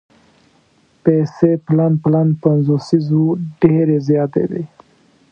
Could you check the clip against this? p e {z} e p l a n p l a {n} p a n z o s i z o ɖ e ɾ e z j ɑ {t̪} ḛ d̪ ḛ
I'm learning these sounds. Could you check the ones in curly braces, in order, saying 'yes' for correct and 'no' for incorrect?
no, yes, yes

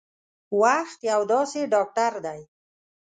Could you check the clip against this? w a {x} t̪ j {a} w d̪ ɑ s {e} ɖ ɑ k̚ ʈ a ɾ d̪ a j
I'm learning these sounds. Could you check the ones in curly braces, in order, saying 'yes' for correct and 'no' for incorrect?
yes, yes, yes

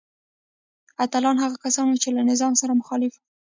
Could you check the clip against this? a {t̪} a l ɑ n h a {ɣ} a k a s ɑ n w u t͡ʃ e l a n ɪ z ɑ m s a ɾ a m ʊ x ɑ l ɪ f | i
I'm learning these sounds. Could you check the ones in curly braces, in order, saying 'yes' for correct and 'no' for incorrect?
yes, yes

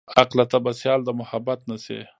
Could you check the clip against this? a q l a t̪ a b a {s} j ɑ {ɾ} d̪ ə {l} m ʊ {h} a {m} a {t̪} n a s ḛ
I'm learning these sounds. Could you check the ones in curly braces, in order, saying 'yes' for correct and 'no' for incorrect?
yes, no, no, yes, no, yes

